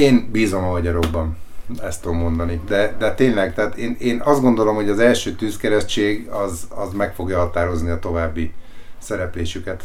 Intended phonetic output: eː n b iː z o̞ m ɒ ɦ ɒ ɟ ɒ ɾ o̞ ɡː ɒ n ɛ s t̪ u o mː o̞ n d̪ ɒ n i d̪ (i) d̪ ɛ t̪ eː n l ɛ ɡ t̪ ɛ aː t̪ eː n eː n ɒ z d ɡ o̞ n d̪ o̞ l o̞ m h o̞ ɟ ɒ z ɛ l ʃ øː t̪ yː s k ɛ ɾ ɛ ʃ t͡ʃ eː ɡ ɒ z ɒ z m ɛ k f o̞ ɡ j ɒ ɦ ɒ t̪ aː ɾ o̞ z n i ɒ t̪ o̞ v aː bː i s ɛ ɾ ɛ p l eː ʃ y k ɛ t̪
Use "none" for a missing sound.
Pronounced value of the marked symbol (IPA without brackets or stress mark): ɛ